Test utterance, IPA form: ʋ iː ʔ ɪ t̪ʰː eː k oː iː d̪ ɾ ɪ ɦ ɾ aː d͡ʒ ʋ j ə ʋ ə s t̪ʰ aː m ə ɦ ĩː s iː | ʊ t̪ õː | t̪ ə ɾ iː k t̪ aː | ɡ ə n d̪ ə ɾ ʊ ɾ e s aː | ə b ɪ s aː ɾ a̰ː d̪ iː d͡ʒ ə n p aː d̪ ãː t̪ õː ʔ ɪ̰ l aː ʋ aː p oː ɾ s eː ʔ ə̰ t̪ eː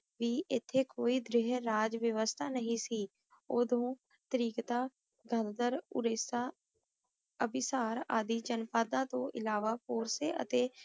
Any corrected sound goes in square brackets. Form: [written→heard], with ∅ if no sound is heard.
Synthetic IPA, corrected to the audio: ʋ iː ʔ ɪ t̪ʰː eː k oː iː d̪ ɾ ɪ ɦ ɾ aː d͡ʒ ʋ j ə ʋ ə s t̪ʰ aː [m→n] ə ɦ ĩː s iː | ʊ [t̪→d̪] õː | t̪ ə ɾ iː k t̪ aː | ɡ ə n d̪ ə ɾ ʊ ɾ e s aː | ə b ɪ s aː ɾ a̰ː d̪ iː d͡ʒ ə n p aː d̪ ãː t̪ õː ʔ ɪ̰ l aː ʋ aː p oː ɾ s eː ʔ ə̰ t̪ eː